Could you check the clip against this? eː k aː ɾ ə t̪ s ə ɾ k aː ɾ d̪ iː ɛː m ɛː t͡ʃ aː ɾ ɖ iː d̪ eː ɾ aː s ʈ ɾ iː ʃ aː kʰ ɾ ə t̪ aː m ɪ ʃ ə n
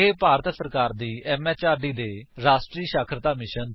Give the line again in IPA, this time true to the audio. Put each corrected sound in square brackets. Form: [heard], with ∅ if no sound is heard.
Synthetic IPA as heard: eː [p] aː ɾ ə t̪ s ə ɾ k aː ɾ d̪ iː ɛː m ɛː t͡ʃ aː ɾ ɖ iː d̪ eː ɾ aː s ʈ ɾ iː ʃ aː kʰ ɾ ə t̪ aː m ɪ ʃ ə n

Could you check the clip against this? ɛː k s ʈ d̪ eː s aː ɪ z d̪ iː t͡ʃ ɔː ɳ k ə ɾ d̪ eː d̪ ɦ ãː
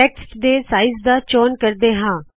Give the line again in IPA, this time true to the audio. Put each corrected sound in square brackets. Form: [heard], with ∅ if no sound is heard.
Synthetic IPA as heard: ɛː k s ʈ d̪ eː s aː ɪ z d̪ [aː] t͡ʃ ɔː [n] k ə ɾ d̪ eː [∅] ɦ ãː

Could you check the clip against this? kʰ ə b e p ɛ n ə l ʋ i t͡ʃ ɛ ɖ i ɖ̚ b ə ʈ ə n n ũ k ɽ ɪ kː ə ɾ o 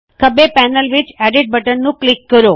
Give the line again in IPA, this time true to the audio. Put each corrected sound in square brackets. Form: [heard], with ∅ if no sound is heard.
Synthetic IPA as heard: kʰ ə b e p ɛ n ə l ʋ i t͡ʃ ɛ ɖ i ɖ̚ b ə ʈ ə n n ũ k [l] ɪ kː ə ɾ o

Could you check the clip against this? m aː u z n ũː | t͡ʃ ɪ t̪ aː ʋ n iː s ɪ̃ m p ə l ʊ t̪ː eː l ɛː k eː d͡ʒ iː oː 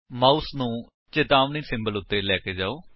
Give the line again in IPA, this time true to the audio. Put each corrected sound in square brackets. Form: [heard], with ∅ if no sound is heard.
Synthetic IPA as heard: m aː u [s] n ũː | t͡ʃ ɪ t̪ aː ʋ n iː s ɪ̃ m [b] ə l ʊ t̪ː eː l ɛː k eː d͡ʒ [aː] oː

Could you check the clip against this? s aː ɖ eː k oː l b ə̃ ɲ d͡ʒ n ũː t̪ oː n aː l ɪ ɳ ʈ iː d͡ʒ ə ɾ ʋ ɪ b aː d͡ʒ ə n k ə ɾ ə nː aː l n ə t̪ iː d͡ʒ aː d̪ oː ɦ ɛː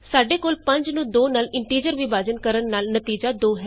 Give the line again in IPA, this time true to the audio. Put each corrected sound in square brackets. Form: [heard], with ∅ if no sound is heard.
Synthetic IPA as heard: s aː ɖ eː k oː l [p] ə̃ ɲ d͡ʒ n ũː [d̪] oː n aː l ɪ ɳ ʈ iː d͡ʒ ə ɾ ʋ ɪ b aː d͡ʒ ə n k ə ɾ ə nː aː l n ə t̪ iː d͡ʒ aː d̪ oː ɦ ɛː

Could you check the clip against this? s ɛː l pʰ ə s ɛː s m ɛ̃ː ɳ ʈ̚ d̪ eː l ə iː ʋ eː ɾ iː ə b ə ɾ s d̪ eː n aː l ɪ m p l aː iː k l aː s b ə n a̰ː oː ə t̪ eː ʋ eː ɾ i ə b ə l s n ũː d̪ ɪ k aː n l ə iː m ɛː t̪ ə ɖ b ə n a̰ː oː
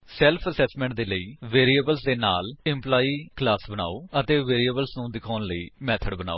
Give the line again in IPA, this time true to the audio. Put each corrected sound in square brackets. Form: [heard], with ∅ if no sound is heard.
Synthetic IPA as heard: s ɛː l pʰ ə s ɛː s m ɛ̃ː ɳ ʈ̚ d̪ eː l ə iː ʋ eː ɾ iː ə b ə [l] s d̪ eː n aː l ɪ m p l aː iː k l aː s b ə n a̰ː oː ə t̪ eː ʋ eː ɾ i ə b ə l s n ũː d̪ ɪ [kʰ] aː n l ə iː m ɛː [t̪ʰ] ə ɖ b ə n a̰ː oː

